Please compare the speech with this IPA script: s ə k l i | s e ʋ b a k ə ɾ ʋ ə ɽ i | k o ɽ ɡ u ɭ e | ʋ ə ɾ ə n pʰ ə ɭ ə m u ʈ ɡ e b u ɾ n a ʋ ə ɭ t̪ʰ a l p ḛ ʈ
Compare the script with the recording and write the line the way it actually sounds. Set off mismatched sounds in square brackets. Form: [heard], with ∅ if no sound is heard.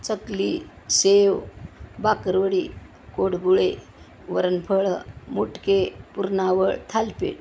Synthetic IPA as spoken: [t͡s] ə k l i | s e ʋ b a k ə ɾ ʋ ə ɽ i | k o ɽ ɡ u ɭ e | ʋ ə ɾ ə n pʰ ə ɭ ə m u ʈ [k] e [p] u ɾ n a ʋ ə ɭ t̪ʰ a l p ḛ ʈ